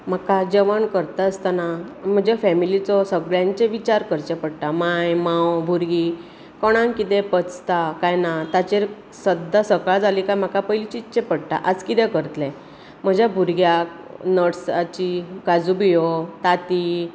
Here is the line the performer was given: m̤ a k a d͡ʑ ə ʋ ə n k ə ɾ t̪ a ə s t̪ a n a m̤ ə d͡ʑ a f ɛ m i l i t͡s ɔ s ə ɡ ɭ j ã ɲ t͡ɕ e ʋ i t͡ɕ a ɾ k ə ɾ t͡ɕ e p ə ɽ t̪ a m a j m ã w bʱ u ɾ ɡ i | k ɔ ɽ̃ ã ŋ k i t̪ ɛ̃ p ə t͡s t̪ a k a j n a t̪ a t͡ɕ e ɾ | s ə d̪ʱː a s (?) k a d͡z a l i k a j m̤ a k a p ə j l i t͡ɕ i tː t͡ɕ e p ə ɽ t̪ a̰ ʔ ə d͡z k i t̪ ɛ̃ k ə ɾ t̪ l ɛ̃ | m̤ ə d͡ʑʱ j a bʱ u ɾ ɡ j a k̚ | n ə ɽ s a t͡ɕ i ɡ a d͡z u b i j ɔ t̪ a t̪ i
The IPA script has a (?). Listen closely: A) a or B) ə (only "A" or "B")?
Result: B